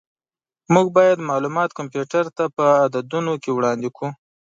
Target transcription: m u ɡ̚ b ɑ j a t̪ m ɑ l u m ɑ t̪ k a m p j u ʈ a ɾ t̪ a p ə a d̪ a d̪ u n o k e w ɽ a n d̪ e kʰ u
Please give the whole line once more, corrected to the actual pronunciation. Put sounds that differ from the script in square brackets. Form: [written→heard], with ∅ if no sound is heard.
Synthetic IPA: m u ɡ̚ b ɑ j a [t̪→d̪] m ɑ l u m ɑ t̪ k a m p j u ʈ a ɾ t̪ a p ə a d̪ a d̪ u n o k e w ɽ [a→ɑ] n d̪ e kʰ u